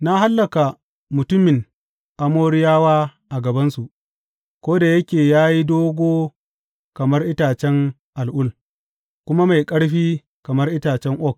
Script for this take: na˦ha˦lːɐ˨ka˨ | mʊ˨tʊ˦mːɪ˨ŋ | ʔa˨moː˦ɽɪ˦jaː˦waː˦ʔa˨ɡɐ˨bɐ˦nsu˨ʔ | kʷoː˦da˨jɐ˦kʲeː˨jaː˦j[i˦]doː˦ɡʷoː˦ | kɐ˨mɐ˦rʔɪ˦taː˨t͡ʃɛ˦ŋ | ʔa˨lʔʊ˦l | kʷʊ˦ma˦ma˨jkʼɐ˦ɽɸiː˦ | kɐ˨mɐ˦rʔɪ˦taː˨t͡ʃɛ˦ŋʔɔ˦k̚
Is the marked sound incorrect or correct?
correct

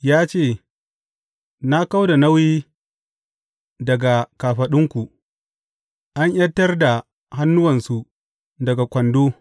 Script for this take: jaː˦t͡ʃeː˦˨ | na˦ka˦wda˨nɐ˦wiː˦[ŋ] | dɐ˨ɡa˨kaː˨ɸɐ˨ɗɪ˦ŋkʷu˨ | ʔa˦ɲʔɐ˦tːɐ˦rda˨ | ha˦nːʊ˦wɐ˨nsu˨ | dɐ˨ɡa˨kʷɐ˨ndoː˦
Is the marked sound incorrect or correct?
incorrect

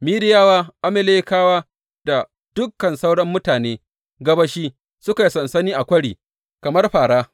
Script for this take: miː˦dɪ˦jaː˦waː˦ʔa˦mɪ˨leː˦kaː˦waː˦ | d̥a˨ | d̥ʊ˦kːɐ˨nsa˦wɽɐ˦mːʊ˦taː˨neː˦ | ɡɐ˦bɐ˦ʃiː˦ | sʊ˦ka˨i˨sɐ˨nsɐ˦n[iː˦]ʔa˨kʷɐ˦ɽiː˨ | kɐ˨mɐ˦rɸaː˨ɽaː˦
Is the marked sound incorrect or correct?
correct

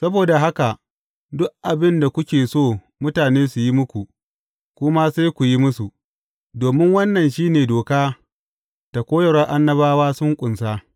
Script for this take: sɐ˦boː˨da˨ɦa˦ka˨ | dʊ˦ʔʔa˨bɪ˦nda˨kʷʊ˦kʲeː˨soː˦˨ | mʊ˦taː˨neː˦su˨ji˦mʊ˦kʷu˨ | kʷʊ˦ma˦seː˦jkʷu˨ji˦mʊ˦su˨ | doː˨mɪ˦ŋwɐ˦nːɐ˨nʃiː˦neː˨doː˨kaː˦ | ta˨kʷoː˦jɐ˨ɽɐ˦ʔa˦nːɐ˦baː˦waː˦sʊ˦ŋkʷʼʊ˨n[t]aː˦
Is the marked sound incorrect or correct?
incorrect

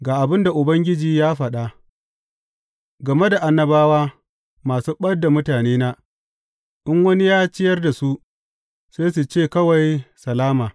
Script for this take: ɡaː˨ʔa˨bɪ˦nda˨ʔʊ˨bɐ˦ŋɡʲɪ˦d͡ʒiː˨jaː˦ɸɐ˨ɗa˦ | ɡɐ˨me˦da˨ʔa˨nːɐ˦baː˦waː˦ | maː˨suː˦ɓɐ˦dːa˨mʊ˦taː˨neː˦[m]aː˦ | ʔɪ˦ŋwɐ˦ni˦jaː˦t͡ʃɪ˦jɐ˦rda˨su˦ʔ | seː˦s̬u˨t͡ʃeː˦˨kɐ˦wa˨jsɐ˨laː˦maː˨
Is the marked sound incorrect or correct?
incorrect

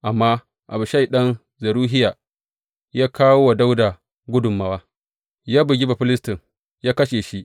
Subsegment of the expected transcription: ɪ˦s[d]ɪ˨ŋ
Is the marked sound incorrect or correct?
incorrect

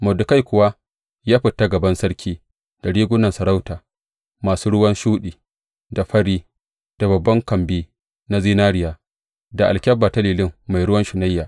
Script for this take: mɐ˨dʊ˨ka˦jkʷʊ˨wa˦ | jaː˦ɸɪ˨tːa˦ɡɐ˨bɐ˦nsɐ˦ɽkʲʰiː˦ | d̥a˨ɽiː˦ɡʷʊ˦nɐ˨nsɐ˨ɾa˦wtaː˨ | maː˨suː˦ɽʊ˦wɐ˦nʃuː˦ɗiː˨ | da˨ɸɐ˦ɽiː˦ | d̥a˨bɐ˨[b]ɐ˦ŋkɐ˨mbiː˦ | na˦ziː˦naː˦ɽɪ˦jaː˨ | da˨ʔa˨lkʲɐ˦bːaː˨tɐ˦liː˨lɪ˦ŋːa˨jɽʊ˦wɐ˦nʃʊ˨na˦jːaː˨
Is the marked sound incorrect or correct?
incorrect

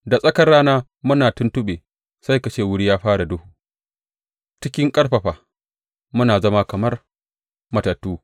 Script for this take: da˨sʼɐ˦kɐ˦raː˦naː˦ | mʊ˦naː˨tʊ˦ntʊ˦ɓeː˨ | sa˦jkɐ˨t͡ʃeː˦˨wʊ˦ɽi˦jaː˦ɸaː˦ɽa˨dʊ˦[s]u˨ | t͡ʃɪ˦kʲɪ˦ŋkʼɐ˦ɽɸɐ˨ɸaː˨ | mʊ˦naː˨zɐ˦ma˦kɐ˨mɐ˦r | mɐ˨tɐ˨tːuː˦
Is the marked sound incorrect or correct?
incorrect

